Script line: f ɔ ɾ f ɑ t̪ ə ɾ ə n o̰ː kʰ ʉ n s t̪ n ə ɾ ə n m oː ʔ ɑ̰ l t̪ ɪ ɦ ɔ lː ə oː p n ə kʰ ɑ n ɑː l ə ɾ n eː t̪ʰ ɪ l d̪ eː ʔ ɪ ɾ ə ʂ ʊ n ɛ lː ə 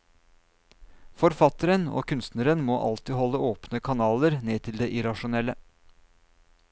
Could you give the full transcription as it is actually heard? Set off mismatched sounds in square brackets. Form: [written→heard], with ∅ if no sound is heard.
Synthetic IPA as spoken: f ɔ ɾ f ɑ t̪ ə ɾ ə n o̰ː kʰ ʉ n s t̪ n ə ɾ ə n m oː ʔ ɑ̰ l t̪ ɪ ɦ ɔ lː ə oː p n ə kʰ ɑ n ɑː l ə ɾ n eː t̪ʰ ɪ l d̪ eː ʔ ɪ ɾ [ə→ɑ] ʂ ʊ n ɛ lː ə